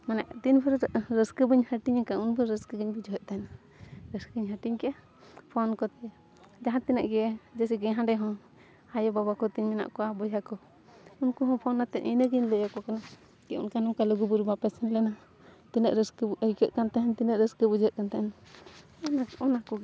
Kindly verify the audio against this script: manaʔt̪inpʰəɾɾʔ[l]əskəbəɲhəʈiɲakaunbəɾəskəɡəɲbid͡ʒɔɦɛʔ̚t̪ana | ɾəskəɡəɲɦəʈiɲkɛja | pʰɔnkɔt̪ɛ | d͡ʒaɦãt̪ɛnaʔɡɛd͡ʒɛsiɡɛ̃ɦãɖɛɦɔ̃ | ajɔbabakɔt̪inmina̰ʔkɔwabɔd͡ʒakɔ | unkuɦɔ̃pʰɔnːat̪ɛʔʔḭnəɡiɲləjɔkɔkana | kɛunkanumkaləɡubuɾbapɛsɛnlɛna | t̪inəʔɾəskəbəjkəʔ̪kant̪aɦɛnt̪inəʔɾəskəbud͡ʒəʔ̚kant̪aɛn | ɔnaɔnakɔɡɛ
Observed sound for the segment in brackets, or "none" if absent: ɾ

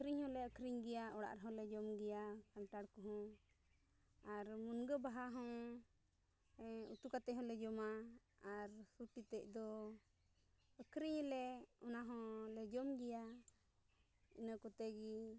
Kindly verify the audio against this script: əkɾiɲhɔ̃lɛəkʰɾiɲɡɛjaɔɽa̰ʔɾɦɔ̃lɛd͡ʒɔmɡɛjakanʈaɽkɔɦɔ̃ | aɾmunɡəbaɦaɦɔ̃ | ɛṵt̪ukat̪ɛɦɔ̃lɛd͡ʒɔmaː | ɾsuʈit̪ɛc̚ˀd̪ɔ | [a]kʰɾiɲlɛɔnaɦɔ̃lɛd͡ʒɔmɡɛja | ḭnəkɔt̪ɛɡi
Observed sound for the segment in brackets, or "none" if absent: ə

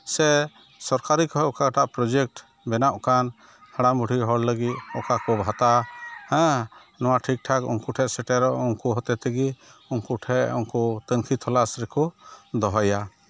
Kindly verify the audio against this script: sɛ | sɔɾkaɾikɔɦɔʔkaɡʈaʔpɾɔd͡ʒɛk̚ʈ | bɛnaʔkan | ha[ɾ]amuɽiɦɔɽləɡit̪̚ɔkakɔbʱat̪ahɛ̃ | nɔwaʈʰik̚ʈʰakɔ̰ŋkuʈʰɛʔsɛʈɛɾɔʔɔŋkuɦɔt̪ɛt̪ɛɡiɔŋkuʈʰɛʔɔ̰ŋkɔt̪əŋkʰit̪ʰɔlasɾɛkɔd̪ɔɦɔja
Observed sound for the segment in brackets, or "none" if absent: ɽ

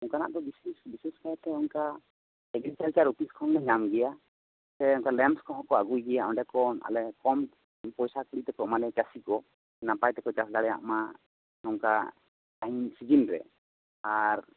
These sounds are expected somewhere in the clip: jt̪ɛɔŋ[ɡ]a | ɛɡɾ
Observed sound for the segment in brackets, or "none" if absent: k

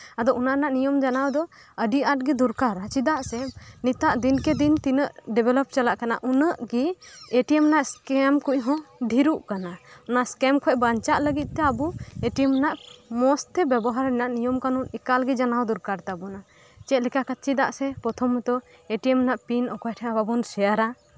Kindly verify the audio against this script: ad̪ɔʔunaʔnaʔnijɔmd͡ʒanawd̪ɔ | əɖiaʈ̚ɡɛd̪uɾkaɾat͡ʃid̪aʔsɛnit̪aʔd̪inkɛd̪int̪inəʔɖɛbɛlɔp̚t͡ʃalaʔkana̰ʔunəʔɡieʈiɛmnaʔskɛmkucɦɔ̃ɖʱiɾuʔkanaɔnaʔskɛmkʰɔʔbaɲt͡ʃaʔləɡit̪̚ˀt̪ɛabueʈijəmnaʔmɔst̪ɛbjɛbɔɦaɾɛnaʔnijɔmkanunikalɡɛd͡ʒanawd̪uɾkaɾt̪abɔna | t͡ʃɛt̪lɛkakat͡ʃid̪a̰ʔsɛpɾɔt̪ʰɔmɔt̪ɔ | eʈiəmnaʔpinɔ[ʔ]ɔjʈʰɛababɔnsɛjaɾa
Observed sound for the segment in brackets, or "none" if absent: k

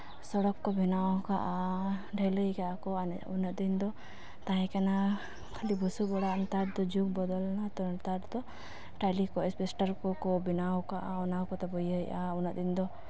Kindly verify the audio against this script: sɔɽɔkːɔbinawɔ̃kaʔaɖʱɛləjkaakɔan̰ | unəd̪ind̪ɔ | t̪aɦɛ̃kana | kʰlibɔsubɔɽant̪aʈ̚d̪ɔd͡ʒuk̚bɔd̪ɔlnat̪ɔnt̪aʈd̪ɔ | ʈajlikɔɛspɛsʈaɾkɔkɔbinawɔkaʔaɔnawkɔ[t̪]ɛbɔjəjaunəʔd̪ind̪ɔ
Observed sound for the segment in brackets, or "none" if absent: t̪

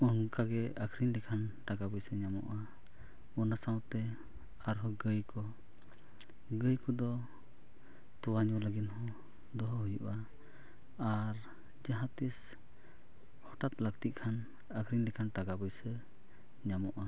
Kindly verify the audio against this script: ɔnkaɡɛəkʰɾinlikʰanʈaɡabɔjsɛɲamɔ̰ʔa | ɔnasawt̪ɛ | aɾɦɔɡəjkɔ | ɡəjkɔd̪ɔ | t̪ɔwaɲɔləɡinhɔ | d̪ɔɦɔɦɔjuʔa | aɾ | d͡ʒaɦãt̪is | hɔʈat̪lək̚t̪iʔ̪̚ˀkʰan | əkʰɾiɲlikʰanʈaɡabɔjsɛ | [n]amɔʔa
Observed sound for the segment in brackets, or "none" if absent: ɲ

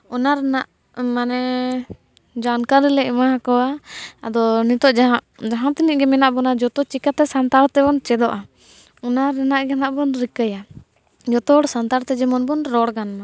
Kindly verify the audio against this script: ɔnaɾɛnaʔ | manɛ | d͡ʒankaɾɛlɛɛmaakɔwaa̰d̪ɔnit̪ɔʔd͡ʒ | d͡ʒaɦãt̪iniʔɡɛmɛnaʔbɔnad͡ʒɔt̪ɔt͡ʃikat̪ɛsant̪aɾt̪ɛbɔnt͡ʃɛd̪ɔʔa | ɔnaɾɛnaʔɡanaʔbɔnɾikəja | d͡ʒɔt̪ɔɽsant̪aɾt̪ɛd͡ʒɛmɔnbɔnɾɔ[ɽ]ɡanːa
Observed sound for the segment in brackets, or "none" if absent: ɽ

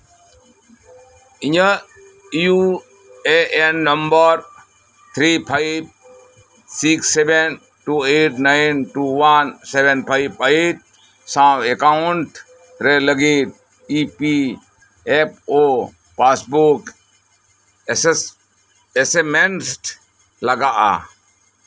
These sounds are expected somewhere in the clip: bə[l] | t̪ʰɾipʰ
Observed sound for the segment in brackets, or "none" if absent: ɾ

